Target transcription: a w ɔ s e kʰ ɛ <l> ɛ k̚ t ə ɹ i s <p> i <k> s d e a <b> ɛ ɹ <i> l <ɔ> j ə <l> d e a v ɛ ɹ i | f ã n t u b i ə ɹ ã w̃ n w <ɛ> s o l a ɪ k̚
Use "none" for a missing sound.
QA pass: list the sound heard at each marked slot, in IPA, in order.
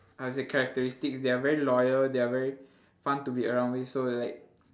ɹ, t, k, v, i, ɔ, l, i

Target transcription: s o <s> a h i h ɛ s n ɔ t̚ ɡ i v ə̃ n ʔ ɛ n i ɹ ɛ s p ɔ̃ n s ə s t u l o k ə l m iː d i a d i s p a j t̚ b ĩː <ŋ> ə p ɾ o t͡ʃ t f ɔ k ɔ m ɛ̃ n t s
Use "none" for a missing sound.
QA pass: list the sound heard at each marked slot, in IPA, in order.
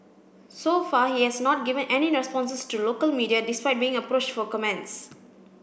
f, ŋ

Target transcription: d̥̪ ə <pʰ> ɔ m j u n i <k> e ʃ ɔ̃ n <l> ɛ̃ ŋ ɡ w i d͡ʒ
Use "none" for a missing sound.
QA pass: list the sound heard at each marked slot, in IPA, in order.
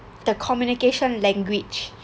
kʰ, k, l

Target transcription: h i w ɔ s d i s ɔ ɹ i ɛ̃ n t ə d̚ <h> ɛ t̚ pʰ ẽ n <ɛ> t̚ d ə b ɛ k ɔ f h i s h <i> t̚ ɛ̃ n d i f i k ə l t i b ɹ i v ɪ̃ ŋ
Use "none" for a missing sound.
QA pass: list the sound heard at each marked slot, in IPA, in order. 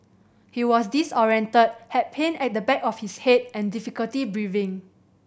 h, ɛ, e

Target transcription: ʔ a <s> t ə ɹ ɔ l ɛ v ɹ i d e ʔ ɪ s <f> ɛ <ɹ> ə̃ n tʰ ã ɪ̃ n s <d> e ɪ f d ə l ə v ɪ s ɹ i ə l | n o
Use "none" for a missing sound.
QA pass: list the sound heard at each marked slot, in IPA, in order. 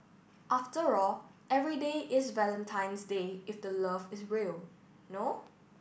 f, v, l, d

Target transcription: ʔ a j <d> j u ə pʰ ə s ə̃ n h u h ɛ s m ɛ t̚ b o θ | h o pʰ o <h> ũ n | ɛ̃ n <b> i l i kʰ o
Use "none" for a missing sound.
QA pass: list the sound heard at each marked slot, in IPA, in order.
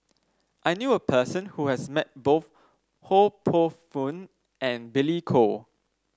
n, f, b

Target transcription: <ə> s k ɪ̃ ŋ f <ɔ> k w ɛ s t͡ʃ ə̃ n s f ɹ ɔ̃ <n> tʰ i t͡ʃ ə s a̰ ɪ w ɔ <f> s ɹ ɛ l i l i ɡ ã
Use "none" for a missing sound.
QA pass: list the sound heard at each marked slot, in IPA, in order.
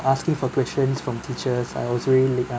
a, ɔ, m, none

